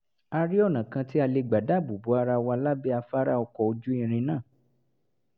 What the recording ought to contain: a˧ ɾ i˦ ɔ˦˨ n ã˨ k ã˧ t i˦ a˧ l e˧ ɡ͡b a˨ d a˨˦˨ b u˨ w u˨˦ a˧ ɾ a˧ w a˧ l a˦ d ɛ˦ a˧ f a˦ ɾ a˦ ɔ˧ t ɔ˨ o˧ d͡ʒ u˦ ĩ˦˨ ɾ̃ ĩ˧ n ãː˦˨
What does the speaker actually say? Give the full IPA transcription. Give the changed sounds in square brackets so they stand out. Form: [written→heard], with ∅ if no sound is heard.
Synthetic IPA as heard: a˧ ɾ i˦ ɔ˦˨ n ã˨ k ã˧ t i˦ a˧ l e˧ ɡ͡b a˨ d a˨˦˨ b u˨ [w→b] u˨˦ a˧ ɾ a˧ w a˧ l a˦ [d→b] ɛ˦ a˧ f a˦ ɾ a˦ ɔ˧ [t→k] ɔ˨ o˧ d͡ʒ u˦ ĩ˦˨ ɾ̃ ĩ˧ n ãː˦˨